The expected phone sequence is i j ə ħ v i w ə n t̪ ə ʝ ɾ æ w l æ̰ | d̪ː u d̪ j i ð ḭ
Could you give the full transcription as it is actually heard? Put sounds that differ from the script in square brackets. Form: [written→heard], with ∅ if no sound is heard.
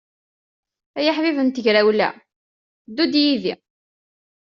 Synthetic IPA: [i→æ] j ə ħ v i [w→v] ə n t̪ ə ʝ ɾ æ w l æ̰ | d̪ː u d̪ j i ð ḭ